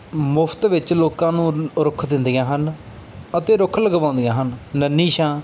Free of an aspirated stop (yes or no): no